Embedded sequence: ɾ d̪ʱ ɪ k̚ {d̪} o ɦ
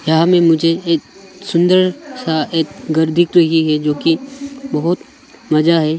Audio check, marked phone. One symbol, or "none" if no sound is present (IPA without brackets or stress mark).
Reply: t̪